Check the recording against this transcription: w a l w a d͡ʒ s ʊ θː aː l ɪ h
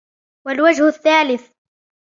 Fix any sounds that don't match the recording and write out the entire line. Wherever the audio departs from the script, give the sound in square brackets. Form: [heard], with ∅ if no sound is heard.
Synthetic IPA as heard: w a l w a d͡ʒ [h] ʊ θː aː l ɪ [θ]